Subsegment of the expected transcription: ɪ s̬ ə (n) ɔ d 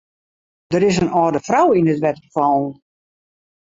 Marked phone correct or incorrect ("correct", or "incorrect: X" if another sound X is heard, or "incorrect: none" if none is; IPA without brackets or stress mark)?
correct